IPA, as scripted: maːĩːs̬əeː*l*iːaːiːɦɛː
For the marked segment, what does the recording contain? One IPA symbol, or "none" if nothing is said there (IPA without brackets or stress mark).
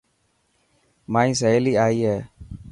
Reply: l